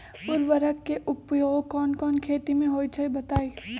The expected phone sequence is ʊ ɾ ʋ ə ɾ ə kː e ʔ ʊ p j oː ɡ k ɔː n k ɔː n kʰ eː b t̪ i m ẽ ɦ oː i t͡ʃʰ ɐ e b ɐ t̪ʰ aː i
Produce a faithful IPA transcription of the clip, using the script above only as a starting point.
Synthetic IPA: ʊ ɾ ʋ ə ɾ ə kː e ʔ ʊ p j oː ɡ k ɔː n k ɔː n kʰ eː t̪ i m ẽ ɦ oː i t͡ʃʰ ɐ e b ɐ t̪ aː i